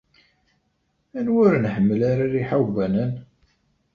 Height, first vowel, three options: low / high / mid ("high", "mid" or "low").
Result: low